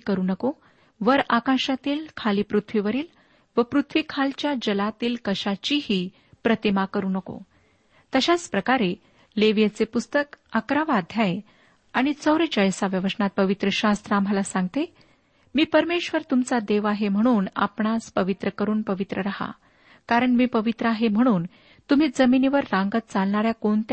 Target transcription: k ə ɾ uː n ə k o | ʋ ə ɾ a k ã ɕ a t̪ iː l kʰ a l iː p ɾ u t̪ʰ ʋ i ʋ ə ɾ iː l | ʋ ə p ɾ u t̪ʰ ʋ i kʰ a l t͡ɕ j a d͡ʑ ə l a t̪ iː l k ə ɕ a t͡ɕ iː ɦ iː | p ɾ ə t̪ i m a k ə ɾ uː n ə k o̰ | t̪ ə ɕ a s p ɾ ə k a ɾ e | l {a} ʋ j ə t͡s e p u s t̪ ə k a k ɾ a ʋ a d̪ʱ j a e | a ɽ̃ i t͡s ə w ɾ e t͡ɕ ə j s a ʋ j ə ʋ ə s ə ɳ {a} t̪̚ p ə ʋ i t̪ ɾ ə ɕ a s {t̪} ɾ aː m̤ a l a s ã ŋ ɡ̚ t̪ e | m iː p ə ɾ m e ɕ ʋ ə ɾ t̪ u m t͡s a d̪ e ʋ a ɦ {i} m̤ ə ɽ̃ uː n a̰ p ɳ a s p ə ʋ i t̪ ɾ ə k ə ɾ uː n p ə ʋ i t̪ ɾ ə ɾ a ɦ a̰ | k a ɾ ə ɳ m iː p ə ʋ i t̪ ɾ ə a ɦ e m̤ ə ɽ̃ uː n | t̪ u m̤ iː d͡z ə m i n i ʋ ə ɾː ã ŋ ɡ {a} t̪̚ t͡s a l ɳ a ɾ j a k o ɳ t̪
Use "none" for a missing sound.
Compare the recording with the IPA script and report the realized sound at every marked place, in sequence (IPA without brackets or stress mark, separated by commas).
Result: e, a, t̪, e, ə